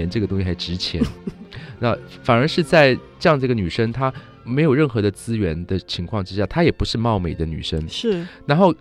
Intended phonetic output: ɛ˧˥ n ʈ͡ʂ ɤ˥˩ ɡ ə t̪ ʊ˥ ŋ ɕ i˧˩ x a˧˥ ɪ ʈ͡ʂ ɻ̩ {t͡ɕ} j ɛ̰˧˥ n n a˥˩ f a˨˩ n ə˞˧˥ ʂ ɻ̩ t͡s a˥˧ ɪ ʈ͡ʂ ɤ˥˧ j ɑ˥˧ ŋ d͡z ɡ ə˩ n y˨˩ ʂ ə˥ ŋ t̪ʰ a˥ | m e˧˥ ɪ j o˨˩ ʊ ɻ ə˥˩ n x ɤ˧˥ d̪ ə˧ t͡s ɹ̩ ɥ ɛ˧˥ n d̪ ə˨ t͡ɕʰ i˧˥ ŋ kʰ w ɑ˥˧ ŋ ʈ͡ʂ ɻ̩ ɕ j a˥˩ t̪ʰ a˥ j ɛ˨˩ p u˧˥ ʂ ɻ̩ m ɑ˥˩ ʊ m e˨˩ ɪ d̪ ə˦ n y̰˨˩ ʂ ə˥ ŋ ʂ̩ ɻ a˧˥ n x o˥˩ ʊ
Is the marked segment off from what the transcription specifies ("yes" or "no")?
yes